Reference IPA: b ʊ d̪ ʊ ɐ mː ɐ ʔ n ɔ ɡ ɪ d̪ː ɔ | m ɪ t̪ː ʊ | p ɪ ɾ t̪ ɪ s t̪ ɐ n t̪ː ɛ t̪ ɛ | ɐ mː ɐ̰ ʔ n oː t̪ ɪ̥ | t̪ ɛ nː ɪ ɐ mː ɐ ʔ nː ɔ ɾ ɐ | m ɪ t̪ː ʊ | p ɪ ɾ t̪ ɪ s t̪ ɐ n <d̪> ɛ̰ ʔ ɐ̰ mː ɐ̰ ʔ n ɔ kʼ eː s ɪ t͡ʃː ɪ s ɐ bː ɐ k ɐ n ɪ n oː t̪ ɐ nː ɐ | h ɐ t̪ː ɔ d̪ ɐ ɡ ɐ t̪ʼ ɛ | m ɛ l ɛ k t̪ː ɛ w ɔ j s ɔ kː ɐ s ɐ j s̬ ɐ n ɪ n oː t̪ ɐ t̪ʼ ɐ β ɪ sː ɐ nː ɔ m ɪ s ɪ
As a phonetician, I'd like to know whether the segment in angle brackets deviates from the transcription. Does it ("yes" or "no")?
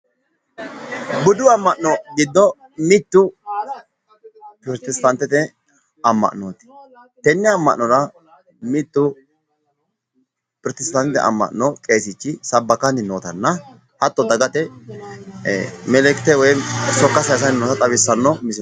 yes